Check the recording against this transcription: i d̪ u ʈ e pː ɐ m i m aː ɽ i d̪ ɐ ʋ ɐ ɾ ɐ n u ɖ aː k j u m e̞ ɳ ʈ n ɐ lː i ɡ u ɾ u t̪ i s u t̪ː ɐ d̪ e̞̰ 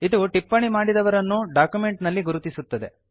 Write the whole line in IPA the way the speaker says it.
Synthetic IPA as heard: i d̪ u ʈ i pː ɐ ɳ i m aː ɽ i d̪ ɐ ʋ ɐ ɾ ɐ nː u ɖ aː k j u m e̞ ɳ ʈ n ɐ lː i ɡ u ɾ u t̪ i s u t̪ː ɐ d̪ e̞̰

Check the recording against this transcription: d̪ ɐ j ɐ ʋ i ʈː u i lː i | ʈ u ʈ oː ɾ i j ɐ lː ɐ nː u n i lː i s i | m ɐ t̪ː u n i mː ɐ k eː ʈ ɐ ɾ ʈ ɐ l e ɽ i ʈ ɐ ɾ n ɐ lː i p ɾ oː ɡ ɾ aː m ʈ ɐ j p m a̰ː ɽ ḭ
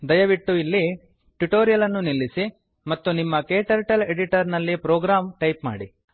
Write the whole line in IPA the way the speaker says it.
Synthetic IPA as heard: d̪ ɐ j ɐ ʋ i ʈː u i lː i | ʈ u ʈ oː ɾ i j ɐ l ɐ nː u n i lː i s i | m ɐ t̪ː u n i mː ɐ k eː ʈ ɐ ɾ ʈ ɐ l e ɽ i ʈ ɐ ɾ n ɐ lː i p ɾ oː ɡ ɾ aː m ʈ ɐ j p m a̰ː ɽ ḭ

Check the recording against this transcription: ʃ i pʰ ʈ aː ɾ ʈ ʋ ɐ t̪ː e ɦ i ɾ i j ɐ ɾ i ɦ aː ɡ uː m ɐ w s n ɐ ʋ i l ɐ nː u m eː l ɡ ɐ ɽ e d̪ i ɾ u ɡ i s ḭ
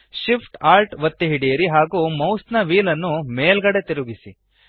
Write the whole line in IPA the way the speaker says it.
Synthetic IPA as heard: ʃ i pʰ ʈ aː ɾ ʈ ʋ ɐ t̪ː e ɦ i ɽ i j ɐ ɾ i ɦ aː ɡ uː m ɐ w s n ɐ ʋ iː l ɐ nː u m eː l ɡ ɐ ɽ e t̪ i ɾ u ɡ i s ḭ

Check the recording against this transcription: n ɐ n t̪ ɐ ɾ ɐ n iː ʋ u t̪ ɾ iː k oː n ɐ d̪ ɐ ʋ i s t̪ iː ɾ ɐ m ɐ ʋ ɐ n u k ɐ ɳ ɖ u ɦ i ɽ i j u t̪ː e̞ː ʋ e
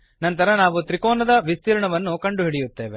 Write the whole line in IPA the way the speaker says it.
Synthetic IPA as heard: n ɐ n t̪ ɐ ɾ ɐ n aː ʋ u t̪ ɾ i k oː n ɐ d̪ ɐ ʋ i s t̪ iː ɾ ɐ ɳ ɐ ʋ ɐ nː u k ɐ ɳ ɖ u ɦ i ɽ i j u t̪ː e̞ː ʋ e

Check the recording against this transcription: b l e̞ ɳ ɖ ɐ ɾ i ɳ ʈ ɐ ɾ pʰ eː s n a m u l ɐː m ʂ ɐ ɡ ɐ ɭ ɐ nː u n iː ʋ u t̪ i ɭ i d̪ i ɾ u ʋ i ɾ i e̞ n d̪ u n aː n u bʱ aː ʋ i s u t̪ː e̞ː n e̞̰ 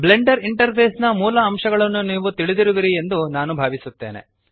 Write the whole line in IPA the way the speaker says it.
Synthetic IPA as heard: b l e̞ ɳ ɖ ɐ ɾ i ɳ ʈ ɐ ɾ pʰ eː s n ɐ m uː l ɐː m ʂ ɐ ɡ ɐ ɭ ɐ nː u n iː ʋ u t̪ i ɭ i d̪ i ɾ u ʋ i ɾ i e̞ n d̪ u n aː n u bʱ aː ʋ i s u t̪ː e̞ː n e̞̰

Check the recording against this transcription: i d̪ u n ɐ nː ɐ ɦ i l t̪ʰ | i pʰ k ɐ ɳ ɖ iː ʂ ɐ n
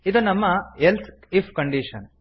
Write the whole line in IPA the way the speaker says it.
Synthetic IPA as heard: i d̪ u n ɐ mː ɐ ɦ e l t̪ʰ | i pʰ k ɐ ɳ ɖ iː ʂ ɐ n

